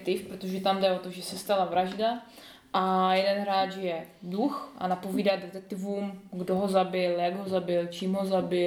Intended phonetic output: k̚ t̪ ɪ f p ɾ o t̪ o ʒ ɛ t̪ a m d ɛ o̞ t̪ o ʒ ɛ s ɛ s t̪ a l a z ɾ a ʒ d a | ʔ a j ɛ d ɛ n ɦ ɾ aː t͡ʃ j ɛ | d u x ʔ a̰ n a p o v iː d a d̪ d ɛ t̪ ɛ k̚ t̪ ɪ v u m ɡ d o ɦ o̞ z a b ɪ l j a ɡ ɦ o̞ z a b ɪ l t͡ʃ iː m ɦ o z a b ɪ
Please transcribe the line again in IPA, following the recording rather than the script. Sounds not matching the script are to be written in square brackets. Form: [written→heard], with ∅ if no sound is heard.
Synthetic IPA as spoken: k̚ t̪ ɪ f p ɾ o t̪ o ʒ ɛ t̪ a m d ɛ o̞ t̪ o ʒ ɛ s ɛ s t̪ a l a [z→v] ɾ a ʒ d a | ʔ a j ɛ d ɛ n ɦ ɾ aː t͡ʃ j ɛ | d u x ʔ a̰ n a p o v iː d a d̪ d ɛ t̪ ɛ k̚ t̪ ɪ v u m ɡ d o ɦ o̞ z a b ɪ l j a ɡ ɦ o̞ z a b ɪ l t͡ʃ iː m ɦ o z a b ɪ